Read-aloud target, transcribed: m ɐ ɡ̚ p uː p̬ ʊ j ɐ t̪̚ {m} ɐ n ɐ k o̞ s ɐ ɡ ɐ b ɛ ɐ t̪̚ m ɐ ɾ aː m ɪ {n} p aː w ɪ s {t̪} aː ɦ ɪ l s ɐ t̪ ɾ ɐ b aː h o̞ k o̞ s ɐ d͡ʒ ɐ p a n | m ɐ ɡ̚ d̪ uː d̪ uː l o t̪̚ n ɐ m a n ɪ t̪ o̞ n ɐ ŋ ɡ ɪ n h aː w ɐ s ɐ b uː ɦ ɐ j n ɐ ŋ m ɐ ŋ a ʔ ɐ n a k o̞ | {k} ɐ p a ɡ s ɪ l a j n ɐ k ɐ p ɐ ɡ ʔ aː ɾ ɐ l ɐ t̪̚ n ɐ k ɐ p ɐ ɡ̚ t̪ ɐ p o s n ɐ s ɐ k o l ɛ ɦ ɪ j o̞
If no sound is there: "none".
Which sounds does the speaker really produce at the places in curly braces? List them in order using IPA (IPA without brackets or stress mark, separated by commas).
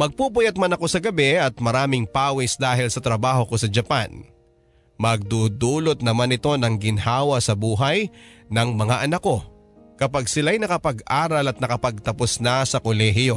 m, ŋ, d̪, k